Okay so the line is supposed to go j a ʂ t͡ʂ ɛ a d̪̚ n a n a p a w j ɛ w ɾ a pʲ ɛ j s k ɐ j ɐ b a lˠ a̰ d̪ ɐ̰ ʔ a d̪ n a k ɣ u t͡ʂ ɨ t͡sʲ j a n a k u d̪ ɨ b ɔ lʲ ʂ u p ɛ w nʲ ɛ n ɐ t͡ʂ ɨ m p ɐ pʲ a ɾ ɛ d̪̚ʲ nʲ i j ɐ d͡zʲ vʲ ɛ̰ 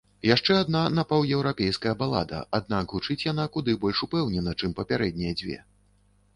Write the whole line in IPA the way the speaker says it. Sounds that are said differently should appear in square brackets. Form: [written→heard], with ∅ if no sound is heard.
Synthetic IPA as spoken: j a ʂ t͡ʂ ɛ a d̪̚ n a n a p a w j ɛ w ɾ a pʲ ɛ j s k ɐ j ɐ b a lˠ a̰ d̪ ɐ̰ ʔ a d̪ n a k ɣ u t͡ʂ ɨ t͡sʲ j a n a k u d̪ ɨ b ɔ lʲ ʂ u p ɛ w nʲ ɛ n ɐ t͡ʂ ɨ m p ɐ pʲ a ɾ ɛ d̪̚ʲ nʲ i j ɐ d͡zʲ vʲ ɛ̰

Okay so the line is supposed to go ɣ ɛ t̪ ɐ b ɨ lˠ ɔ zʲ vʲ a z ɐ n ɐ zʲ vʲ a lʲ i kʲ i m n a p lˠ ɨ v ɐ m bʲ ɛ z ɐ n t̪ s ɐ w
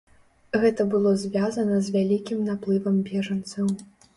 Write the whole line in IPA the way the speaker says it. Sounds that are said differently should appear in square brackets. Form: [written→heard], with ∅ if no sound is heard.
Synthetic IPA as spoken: ɣ ɛ t̪ ɐ b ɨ lˠ ɔ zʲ vʲ a z ɐ n ɐ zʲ vʲ a lʲ i kʲ i m n a p lˠ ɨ v ɐ m bʲ ɛ [z→ʐ] ɐ n t̪ s ɐ w

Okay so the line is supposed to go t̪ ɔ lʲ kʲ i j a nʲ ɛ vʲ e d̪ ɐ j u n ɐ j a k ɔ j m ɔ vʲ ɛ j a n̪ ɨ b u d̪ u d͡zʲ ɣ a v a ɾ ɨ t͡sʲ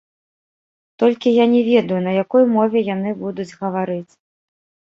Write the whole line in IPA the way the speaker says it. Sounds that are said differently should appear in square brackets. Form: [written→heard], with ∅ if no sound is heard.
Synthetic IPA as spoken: t̪ ɔ lʲ kʲ i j a nʲ ɛ vʲ [e→ɛ] d̪ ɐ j u n ɐ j a k ɔ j m ɔ vʲ ɛ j a n̪ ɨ b u d̪ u d͡zʲ ɣ [a→ɐ] v a ɾ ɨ t͡sʲ

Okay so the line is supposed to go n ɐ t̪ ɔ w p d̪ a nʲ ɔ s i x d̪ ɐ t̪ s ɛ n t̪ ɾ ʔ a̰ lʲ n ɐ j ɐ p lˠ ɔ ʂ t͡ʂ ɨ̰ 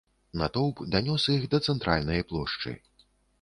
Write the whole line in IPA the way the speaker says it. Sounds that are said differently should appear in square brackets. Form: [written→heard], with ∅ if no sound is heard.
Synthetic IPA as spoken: n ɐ t̪ ɔ w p d̪ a nʲ ɔ s i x d̪ ɐ t̪ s ɛ n t̪ ɾ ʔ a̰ lʲ n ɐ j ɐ p lˠ ɔ ʂ t͡ʂ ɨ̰

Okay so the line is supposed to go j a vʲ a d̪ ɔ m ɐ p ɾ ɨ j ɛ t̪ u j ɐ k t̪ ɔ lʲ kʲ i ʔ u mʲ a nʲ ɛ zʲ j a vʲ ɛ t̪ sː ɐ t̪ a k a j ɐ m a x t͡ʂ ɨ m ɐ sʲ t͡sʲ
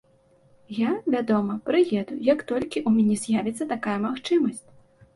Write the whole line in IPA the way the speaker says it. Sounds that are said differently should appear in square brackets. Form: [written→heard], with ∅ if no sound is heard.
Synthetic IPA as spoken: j a vʲ a d̪ ɔ m ɐ p ɾ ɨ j ɛ [t̪→d̪] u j ɐ k t̪ ɔ lʲ kʲ i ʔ u mʲ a nʲ ɛ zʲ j a vʲ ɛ t̪ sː ɐ t̪ a k a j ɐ m a x t͡ʂ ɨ m ɐ sʲ t͡sʲ

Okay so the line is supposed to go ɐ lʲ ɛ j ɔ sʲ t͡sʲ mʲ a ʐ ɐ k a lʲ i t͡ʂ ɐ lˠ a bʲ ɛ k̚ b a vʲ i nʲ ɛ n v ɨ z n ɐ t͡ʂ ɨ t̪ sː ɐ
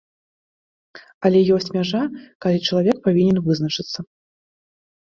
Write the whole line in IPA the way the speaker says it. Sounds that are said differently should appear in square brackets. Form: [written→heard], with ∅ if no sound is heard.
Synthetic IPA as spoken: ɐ lʲ ɛ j ɔ sʲ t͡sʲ mʲ a ʐ [ɐ→a] k a lʲ i t͡ʂ ɐ lˠ a [bʲ→vʲ] ɛ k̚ [b→p] a vʲ i nʲ ɛ n v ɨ z n ɐ t͡ʂ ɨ t̪ sː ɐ

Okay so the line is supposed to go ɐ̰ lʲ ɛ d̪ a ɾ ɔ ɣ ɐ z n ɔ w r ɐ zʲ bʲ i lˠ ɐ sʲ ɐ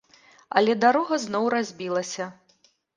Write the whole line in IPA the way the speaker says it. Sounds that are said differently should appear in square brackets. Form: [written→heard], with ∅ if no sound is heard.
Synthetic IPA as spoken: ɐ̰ lʲ ɛ d̪ a ɾ ɔ ɣ ɐ z n ɔ w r [ɐ→a] zʲ bʲ i lˠ ɐ sʲ ɐ

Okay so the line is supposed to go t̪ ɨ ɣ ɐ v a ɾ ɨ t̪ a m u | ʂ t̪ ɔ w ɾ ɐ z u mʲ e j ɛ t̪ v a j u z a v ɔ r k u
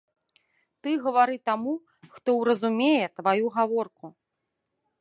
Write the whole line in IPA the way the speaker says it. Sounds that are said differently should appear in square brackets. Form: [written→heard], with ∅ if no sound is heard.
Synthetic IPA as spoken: t̪ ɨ ɣ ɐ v a ɾ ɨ t̪ a m u | [ʂ→x] t̪ ɔ w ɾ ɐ z u mʲ e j ɛ t̪ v a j u [z→ɣ] a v ɔ r k u

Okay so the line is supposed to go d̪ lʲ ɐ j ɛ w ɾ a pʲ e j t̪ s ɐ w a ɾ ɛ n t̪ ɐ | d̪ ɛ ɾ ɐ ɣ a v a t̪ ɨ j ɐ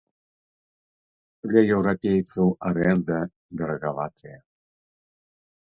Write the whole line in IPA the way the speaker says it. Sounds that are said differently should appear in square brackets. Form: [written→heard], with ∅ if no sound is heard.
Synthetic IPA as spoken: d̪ lʲ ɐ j ɛ w ɾ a pʲ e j t̪ s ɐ w a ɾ ɛ n [t̪→d̪] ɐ | d̪ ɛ ɾ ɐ ɣ a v a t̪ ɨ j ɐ

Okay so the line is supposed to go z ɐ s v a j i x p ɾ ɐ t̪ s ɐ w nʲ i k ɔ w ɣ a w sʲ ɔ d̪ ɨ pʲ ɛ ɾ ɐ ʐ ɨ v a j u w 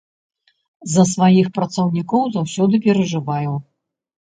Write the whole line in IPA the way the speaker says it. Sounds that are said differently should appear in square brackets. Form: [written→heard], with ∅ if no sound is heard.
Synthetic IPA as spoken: z ɐ s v a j i x p ɾ ɐ t̪ s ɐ w nʲ i k ɔ w [ɣ→z] a w sʲ ɔ d̪ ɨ pʲ ɛ ɾ ɐ ʐ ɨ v a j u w

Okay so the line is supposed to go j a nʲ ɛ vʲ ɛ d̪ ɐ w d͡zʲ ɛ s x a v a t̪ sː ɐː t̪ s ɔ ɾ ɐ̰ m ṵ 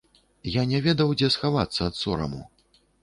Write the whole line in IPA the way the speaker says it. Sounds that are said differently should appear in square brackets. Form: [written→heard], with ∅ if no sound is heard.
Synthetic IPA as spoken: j a nʲ ɛ vʲ ɛ d̪ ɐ w d͡zʲ ɛ s x a v a t̪ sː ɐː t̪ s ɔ ɾ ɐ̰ m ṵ

